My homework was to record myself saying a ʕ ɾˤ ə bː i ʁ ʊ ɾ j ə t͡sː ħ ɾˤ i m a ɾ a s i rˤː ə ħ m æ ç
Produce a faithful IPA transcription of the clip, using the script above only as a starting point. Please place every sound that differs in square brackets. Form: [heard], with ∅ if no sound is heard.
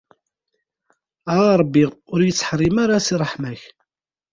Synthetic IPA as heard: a [ʁ] ɾˤ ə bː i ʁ ʊ ɾ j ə t͡sː ħ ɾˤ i m a ɾ a s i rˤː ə ħ m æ ç

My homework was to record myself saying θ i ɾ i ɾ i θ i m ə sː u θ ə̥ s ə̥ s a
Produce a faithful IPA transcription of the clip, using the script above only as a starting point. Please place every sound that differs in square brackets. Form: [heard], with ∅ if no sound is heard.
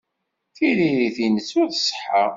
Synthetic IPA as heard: θ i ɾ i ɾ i θ i [n] ə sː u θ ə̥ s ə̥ [ħ] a

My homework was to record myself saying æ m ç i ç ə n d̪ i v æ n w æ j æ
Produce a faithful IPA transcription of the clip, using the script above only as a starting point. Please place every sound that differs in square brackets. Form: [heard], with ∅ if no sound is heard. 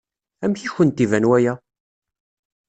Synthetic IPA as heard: æ m ç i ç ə n [t̪] i v æ n w æ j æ

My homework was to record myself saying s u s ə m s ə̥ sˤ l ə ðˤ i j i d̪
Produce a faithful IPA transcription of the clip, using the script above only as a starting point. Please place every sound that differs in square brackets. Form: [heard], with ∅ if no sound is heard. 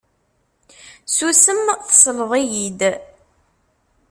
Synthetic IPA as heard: s u s ə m [θ] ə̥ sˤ l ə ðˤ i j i d̪

